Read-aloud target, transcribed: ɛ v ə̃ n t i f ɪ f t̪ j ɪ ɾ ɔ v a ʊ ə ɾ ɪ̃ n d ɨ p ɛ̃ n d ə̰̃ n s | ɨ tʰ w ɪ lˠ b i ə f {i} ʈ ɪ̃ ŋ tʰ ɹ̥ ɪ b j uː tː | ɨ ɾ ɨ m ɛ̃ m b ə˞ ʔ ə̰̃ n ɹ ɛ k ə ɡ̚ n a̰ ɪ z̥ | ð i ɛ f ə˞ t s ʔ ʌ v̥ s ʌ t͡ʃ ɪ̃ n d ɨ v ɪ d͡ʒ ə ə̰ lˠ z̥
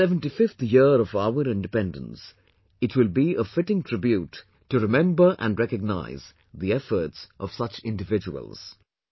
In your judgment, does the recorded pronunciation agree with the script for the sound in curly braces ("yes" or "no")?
no